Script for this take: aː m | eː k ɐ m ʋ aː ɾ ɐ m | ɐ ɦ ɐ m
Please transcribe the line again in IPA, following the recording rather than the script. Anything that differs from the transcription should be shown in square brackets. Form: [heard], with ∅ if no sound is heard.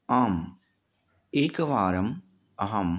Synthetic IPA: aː m | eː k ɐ [∅] ʋ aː ɾ ɐ m | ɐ ɦ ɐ m